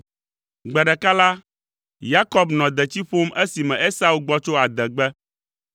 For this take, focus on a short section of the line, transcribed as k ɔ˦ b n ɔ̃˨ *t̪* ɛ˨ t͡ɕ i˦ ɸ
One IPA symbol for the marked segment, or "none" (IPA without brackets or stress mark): d̪